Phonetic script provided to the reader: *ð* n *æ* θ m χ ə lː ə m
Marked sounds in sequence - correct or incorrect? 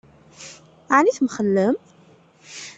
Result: incorrect: ʕ, incorrect: i

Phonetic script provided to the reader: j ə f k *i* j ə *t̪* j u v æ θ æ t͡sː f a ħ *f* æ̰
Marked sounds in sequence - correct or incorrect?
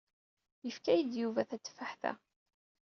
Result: incorrect: æ, incorrect: d̪, incorrect: θ

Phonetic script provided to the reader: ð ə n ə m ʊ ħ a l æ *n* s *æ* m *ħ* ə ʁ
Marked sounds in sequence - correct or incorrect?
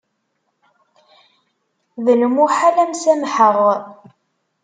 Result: incorrect: m, correct, correct

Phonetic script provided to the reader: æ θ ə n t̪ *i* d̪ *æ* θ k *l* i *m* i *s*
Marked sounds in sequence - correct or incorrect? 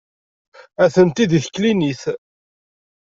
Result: correct, incorrect: i, correct, incorrect: n, incorrect: θ

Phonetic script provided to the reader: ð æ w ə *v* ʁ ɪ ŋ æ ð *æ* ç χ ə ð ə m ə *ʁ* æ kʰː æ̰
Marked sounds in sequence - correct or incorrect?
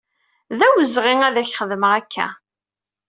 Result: incorrect: z, correct, correct

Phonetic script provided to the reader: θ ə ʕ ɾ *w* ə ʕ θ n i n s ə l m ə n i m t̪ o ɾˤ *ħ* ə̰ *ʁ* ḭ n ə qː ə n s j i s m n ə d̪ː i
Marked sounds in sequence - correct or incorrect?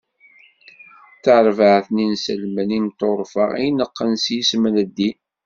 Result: incorrect: v, incorrect: f, correct

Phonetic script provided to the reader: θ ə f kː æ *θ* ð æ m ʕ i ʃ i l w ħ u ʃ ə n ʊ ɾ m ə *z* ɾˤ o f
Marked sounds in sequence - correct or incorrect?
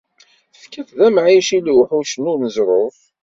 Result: correct, correct

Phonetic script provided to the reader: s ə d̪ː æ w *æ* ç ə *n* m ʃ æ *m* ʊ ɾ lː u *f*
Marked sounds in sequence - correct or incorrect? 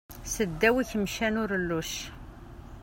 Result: incorrect: i, incorrect: none, incorrect: n, incorrect: ʃ

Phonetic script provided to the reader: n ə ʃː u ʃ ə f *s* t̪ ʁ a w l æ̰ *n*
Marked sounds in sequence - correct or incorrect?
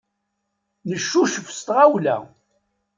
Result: correct, incorrect: none

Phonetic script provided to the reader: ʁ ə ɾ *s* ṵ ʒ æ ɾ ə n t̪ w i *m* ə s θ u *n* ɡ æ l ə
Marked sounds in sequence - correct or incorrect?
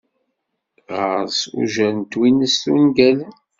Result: correct, incorrect: n, correct

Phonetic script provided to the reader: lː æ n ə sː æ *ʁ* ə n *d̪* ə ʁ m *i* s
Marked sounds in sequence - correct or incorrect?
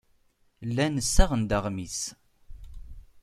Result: correct, correct, correct

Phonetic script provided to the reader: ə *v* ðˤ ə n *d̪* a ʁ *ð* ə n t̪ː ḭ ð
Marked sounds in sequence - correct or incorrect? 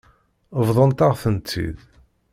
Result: correct, incorrect: t̪, incorrect: θ

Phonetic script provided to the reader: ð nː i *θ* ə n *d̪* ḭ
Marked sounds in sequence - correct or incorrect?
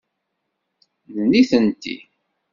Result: correct, incorrect: t̪

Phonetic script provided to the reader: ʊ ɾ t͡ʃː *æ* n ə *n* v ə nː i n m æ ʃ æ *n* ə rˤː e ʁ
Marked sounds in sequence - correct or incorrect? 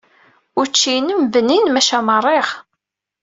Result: incorrect: i, incorrect: m, incorrect: m

